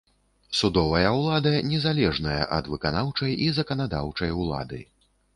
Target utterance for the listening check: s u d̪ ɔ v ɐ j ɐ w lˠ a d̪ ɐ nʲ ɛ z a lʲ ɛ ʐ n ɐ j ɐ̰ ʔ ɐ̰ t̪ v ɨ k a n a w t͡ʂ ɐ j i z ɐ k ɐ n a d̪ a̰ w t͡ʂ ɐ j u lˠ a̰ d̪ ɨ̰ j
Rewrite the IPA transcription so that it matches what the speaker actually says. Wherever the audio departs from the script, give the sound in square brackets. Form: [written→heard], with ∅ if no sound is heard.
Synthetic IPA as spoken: s u d̪ ɔ v ɐ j ɐ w lˠ a d̪ ɐ nʲ ɛ z a lʲ ɛ ʐ n ɐ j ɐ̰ ʔ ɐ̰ [t̪→d̪] v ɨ k a n a w t͡ʂ ɐ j i z ɐ k ɐ n a d̪ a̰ w t͡ʂ ɐ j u lˠ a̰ d̪ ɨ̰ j

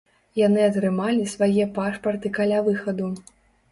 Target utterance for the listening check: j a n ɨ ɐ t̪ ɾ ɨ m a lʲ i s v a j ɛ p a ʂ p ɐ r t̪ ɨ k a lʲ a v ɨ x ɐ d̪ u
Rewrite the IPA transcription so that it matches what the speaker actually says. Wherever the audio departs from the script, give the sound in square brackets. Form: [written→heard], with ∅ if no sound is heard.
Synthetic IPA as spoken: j a n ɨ ɐ t̪ ɾ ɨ m a lʲ i s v a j ɛ p a ʂ p ɐ r t̪ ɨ k a lʲ a v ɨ x ɐ d̪ u

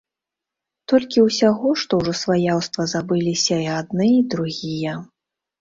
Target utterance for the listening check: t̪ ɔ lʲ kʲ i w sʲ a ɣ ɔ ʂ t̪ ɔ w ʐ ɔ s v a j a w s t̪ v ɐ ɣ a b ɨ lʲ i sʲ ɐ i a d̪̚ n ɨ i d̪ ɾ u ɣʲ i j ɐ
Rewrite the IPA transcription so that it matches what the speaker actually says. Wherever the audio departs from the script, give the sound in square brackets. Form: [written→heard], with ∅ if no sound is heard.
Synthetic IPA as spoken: t̪ ɔ lʲ kʲ i w sʲ a ɣ ɔ ʂ t̪ ɔ w ʐ ɔ s v a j a w s t̪ v ɐ [ɣ→z] a b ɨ lʲ i sʲ ɐ i a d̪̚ n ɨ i d̪ ɾ u ɣʲ i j ɐ

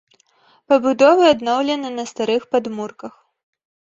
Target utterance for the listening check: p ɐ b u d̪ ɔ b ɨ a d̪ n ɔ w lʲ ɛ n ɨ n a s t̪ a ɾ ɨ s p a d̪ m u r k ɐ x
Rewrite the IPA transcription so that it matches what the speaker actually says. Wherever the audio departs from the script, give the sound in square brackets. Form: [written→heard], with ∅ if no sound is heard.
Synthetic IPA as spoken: p ɐ b u d̪ ɔ [b→v] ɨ a d̪ n ɔ w lʲ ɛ n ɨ n [a→ɐ] s t̪ a ɾ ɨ [s→x] p a d̪ m u r k ɐ x

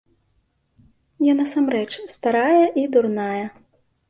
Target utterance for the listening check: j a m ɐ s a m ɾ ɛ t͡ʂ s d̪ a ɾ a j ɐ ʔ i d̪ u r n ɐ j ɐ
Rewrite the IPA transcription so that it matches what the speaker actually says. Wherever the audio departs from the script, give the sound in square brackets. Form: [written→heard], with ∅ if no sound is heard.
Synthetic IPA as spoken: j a [m→n] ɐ s a m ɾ ɛ t͡ʂ s [d̪→t̪] a ɾ a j ɐ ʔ i d̪ u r n [ɐ→a] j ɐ

